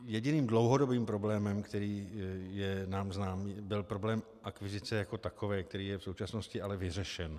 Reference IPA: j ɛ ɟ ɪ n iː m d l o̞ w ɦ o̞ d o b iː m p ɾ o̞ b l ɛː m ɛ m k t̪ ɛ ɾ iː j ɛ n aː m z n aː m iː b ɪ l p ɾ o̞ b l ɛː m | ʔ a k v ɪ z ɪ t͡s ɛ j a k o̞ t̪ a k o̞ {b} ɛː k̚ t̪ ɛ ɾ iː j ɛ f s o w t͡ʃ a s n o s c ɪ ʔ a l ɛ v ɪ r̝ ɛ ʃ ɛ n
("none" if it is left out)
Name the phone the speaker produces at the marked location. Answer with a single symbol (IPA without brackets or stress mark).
v